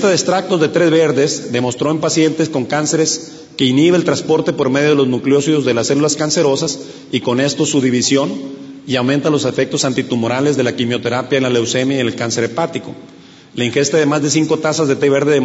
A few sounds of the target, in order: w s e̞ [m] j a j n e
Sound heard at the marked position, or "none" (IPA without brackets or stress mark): m